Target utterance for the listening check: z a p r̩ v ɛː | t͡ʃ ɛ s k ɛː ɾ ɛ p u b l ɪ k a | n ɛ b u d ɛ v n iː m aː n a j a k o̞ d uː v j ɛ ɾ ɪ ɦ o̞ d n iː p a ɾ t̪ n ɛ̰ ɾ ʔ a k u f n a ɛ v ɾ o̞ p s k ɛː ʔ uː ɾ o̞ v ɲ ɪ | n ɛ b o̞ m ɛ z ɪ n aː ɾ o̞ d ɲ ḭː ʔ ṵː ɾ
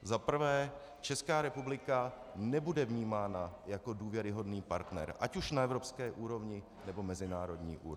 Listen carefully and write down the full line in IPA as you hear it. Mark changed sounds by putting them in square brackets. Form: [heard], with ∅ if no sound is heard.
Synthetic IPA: z a p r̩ v ɛː | t͡ʃ ɛ s k [aː] ɾ ɛ p u b l ɪ k a | n ɛ b u d ɛ v [ɲ] iː m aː n a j a k o̞ d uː v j ɛ ɾ ɪ ɦ o̞ d n iː p a ɾ t̪ n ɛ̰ ɾ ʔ a [c] u [ʃ] n a ɛ v ɾ o̞ p s k ɛː ʔ uː ɾ o̞ v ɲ ɪ | n ɛ b o̞ m ɛ z ɪ n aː ɾ o̞ d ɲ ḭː ʔ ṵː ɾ